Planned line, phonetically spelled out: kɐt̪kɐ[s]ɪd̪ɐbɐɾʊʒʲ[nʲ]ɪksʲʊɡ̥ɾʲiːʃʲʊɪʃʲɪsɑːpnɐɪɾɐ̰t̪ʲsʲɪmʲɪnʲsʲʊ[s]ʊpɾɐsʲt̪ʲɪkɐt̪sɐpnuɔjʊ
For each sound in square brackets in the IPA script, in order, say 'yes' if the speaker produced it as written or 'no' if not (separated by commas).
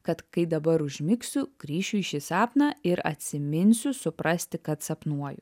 no, no, yes